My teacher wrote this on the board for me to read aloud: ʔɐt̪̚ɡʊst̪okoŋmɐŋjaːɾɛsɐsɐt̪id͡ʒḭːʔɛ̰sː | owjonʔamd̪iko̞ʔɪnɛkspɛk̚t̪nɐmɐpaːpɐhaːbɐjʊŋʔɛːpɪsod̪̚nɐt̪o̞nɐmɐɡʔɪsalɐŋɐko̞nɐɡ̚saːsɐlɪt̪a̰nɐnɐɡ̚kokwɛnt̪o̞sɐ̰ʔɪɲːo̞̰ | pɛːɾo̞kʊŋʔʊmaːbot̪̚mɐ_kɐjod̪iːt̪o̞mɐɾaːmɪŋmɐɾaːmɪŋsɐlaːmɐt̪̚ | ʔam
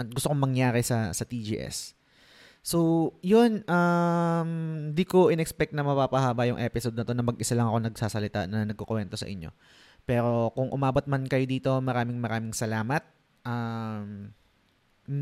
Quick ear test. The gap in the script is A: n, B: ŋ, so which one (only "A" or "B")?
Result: A